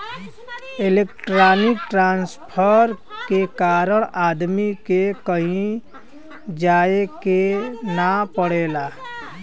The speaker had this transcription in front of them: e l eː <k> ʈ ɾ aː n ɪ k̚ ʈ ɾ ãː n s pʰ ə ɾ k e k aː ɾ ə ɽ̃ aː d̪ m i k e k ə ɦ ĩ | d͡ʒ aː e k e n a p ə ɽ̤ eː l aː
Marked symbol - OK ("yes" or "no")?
yes